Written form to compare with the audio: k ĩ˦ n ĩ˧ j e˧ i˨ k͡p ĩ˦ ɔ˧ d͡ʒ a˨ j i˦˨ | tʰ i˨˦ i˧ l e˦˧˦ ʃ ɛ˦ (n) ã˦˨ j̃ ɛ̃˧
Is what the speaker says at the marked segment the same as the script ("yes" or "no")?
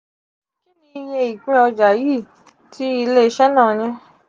yes